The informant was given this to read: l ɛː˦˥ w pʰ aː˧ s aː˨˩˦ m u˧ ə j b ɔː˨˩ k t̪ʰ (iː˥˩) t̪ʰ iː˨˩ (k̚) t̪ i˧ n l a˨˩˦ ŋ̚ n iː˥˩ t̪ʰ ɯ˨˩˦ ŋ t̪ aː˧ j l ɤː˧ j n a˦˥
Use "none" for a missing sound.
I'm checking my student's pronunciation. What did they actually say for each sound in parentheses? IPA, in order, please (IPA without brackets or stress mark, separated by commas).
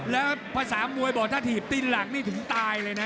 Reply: aː˥˩, p̚